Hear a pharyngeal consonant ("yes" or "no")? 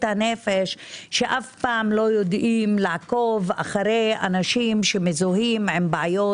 yes